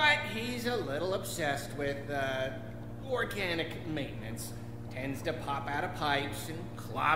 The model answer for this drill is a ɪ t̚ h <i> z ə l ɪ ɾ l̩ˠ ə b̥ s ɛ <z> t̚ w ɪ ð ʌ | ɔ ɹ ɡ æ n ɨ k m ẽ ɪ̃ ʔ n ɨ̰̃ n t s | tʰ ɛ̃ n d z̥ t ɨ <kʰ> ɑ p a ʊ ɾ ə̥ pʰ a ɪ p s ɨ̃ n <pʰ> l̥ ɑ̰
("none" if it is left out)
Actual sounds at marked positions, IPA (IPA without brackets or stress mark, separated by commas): i, s, pʰ, kʰ